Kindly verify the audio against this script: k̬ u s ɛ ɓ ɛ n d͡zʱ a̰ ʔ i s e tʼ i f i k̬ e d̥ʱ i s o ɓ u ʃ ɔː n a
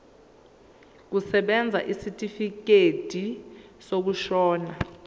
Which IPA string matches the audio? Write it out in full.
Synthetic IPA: k̬ u s ɛ ɓ ɛ n d͡zʱ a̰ ʔ i s i tʼ i f i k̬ e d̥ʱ i s o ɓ u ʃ ɔː n a

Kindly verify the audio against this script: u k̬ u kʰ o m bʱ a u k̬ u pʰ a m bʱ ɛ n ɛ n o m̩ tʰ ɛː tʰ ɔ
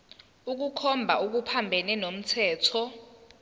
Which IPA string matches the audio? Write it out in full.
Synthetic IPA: u k̬ u kʰ ɔ m bʱ a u k̬ u pʰ a m bʱ ɛ n ɛ n o m̩ tʰ ɛː tʰ ɔ

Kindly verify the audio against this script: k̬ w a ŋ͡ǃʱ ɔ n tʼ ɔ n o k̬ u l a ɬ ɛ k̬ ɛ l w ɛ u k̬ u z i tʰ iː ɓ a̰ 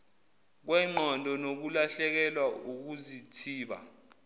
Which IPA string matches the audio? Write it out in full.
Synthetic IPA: k̬ w ɛ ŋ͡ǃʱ ɔ n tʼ ɔ n o k̬ u l a ɬ ɛ k̬ ɛ l w a u k̬ u z i tʰ iː ɓ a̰

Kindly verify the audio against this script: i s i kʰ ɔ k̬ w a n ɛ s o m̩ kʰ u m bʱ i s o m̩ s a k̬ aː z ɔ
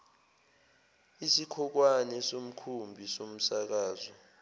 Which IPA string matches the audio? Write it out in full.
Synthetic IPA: i s i kʰ ɔ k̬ w a n ɛ s o m̩ kʰ u m bʱ i s o m̩ s a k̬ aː z ɔ

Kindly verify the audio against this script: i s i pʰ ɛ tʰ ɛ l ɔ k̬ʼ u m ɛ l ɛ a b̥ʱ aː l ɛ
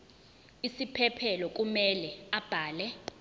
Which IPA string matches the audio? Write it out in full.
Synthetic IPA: i s i pʰ ɛ pʰ ɛ l ɔ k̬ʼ u m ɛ l ɛ a b̥ʱ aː l ɛ

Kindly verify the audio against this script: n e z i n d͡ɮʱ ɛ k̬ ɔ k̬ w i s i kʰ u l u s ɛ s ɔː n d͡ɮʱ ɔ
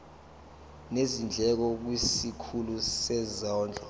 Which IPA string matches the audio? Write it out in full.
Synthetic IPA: n e z i n d͡ɮʱ ɛ k̬ ɔ k̬ w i s i kʰ u l u s ɛ z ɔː n d͡ɮʱ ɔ

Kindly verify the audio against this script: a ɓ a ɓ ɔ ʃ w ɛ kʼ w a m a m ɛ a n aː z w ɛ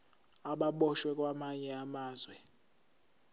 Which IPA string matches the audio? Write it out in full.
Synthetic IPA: a ɓ a ɓ ɔ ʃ w ɛ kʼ w a m a ɲ ɛ a m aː z w ɛ

